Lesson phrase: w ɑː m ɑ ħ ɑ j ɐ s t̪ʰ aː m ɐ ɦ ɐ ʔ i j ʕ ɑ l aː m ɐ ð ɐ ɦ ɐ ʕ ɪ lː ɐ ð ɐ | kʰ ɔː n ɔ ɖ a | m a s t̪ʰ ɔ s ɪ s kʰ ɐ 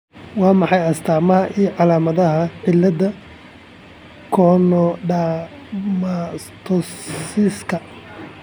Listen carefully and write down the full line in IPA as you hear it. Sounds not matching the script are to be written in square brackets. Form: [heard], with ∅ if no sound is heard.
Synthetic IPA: w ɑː m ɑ ħ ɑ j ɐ s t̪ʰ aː m ɐ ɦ ɐ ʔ i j ʕ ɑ l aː m ɐ ð ɐ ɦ ɐ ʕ ɪ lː ɐ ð ɐ | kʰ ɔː n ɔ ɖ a | m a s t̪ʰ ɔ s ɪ s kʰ ɐ